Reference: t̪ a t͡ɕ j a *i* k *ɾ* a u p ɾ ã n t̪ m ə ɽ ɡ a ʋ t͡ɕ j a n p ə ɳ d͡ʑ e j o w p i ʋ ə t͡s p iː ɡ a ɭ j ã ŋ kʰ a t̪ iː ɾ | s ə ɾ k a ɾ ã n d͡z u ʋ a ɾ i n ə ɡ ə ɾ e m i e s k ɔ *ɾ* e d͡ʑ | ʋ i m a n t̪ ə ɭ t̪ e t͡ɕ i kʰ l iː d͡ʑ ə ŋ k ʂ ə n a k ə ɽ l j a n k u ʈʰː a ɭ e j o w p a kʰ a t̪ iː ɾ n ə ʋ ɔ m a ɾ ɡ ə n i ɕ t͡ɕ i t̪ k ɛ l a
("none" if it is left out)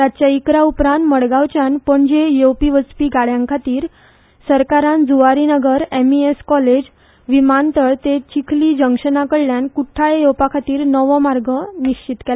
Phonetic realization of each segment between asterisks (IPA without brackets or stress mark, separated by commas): i, ɾ, l